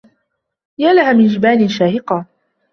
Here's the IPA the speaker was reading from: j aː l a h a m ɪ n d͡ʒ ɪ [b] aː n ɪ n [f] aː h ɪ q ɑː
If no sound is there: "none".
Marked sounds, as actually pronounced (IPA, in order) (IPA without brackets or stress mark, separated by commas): b, ʃ